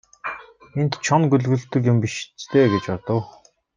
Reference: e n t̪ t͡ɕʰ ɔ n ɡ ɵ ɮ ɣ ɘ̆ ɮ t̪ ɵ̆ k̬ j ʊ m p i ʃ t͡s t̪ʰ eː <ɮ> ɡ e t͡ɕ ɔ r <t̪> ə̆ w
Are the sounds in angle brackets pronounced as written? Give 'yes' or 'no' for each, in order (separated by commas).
no, yes